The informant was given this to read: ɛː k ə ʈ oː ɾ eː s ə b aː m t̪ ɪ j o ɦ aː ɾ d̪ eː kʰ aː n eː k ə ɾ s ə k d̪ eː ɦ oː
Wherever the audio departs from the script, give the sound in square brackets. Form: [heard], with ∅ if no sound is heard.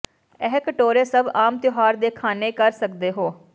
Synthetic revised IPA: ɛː k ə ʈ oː ɾ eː s ə b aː m t̪ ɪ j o ɦ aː ɾ d̪ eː kʰ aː n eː k ə ɾ s ə k d̪ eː ɦ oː